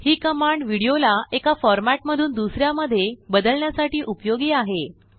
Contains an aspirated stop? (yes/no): no